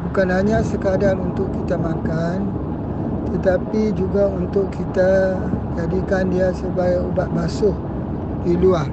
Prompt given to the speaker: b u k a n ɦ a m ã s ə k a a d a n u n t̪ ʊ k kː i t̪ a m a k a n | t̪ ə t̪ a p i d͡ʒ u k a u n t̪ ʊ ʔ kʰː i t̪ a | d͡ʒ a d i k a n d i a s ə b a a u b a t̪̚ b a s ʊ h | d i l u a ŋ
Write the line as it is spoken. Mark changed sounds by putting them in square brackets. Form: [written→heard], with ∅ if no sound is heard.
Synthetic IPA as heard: b u k a n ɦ a [m→ɲ] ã s ə k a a d a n u n t̪ ʊ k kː i t̪ a m a k a n | t̪ ə t̪ a p i d͡ʒ u [k→ɡ] a u n t̪ ʊ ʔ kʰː i t̪ a | d͡ʒ a d i k a n d i a s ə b a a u b a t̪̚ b a s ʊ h | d i l u a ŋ